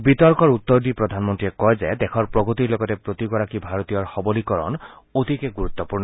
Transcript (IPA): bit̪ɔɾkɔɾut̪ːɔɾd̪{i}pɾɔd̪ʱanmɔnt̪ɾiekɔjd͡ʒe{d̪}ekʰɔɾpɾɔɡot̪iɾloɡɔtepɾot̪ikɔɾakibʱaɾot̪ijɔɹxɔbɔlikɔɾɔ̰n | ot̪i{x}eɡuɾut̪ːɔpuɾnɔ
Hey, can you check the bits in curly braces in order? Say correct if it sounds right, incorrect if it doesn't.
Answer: correct, correct, incorrect: k

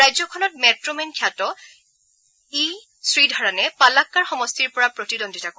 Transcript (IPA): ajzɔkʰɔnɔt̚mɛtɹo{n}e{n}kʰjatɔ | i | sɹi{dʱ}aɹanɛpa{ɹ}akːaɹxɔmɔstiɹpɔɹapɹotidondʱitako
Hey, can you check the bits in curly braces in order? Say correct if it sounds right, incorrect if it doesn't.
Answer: incorrect: m, correct, correct, incorrect: l

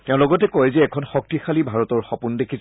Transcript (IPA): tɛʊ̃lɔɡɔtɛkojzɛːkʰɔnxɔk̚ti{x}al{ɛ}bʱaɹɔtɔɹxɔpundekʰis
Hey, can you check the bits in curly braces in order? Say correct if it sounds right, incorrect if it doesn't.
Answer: correct, incorrect: i

